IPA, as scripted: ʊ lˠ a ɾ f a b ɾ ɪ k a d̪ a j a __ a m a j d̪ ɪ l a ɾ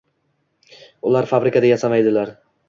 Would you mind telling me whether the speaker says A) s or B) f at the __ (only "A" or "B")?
A